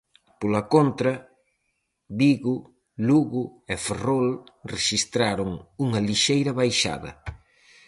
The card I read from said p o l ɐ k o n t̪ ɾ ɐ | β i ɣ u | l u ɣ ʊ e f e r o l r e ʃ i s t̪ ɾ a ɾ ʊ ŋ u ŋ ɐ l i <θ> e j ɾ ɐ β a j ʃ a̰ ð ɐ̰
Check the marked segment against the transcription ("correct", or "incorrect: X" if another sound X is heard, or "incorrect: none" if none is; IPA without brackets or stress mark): incorrect: ʃ